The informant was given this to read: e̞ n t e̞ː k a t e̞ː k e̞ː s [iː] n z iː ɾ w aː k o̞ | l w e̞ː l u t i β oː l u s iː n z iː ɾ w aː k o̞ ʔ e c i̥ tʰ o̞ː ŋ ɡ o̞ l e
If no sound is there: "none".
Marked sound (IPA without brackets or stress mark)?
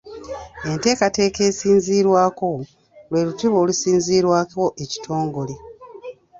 iː